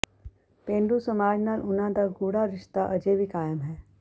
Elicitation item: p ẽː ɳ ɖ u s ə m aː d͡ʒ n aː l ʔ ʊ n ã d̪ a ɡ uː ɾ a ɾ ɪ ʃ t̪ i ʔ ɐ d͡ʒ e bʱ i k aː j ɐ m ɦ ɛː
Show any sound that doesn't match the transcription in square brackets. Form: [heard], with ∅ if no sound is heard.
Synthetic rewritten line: p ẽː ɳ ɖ u s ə m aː d͡ʒ n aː l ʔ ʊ n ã d̪ a ɡ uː [ɽ] a ɾ ɪ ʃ t̪ [a] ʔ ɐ d͡ʒ e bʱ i k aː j [ə] m ɦ ɛː